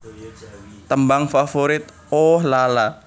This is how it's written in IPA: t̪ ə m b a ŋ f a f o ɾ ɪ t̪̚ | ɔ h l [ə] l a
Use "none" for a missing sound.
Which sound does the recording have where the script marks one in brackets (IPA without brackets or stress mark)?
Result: a